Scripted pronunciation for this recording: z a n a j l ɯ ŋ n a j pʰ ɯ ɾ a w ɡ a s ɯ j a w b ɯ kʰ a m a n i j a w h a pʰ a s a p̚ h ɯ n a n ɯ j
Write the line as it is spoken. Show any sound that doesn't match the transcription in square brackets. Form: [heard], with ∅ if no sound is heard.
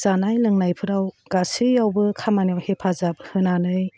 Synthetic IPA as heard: z a n a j l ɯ ŋ n a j pʰ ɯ ɾ a w ɡ a s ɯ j a w b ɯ kʰ a m a n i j a w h [e] pʰ a [z] a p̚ h ɯ n a n ɯ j